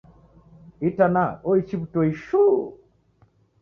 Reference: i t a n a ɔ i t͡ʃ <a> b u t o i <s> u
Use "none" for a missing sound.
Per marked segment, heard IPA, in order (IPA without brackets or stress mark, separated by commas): i, ʃ